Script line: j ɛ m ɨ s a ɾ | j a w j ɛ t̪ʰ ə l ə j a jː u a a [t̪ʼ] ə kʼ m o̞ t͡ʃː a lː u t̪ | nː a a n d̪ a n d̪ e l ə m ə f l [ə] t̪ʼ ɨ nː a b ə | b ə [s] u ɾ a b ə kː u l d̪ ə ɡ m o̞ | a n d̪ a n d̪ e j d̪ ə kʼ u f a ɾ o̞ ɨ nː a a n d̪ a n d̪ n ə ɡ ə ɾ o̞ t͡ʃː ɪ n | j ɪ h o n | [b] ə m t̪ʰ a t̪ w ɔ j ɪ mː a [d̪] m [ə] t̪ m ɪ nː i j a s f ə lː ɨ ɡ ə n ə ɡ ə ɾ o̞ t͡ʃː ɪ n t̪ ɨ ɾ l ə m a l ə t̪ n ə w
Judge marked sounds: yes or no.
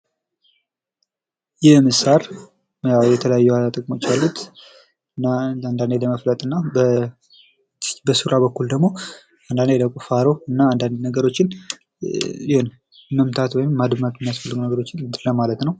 yes, yes, yes, no, yes, no

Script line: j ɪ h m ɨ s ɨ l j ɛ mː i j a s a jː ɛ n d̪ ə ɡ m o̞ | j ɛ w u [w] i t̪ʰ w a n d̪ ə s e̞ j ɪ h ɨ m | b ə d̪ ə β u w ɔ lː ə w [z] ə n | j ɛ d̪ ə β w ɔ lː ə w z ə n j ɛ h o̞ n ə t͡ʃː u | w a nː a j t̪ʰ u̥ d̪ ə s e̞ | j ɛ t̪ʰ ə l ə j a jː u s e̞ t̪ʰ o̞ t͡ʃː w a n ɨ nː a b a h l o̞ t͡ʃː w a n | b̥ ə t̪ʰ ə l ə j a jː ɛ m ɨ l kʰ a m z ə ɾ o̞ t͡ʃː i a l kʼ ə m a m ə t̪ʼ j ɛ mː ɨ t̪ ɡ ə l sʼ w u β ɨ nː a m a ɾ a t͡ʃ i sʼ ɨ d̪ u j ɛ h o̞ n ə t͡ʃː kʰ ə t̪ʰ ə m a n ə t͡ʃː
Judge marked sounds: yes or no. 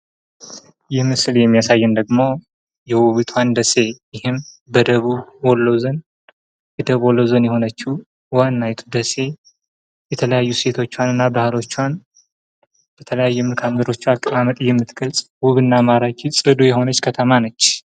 no, yes

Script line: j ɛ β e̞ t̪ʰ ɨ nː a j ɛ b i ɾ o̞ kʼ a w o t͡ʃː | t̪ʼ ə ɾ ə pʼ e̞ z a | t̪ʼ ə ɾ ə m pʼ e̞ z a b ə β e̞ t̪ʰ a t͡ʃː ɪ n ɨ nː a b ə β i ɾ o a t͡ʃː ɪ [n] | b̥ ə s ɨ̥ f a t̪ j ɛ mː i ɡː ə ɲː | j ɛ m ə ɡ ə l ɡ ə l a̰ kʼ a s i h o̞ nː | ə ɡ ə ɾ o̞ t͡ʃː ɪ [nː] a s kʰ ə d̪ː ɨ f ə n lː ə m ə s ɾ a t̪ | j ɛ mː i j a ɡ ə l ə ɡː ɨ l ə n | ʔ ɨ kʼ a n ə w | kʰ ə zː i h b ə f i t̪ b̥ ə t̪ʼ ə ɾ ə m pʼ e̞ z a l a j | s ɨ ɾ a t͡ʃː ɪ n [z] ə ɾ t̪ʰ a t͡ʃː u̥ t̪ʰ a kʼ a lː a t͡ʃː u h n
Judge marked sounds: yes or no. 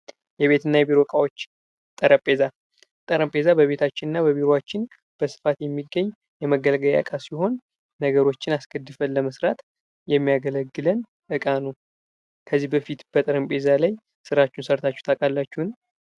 yes, no, no

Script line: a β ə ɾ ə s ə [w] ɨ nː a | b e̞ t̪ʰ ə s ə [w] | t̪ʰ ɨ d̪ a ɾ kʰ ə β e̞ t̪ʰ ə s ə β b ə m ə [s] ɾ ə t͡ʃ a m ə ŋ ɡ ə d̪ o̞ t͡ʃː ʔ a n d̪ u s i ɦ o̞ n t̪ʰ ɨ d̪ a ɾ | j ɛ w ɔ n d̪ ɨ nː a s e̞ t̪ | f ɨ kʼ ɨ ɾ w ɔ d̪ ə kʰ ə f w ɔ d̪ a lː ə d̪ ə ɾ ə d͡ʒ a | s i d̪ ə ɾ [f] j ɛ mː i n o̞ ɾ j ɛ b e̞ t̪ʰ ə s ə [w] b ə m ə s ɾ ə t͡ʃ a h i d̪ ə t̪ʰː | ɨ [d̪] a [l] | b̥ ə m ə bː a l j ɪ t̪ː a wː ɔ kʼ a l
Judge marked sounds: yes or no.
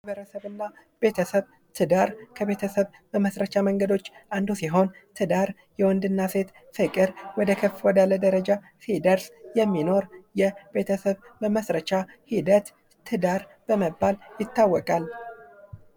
no, no, yes, no, no, yes, no

